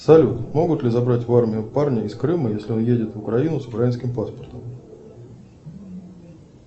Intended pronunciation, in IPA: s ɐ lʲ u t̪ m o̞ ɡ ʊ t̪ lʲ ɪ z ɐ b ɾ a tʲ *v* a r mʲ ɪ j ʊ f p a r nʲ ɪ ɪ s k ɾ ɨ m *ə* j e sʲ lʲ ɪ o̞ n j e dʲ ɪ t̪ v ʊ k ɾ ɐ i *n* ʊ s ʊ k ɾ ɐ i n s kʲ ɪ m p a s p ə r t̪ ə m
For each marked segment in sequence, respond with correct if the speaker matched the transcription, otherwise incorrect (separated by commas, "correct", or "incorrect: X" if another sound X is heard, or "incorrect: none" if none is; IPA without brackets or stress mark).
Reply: correct, correct, correct